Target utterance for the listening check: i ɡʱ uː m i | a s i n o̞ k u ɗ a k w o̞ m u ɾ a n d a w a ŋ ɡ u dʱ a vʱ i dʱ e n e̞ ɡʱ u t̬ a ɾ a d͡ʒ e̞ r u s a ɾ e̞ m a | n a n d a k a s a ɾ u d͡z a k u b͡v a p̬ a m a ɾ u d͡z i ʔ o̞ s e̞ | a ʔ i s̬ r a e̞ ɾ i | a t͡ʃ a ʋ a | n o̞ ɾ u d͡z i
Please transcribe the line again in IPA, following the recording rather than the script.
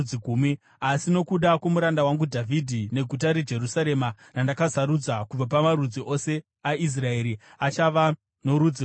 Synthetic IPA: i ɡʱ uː m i | a s i n o̞ k u ɗ a k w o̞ m u ɾ a n d a w a ŋ ɡ u dʱ a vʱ i dʱ i n e̞ ɡʱ u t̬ a ɾ e d͡ʒ e̞ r u s a ɾ e̞ m a | n a n d a k a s a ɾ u d͡z a k u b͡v a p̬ a m a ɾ u d͡z i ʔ o̞ s e̞ | a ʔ i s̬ r a e̞ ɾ i | a t͡ʃ a ʋ a | n o̞ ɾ u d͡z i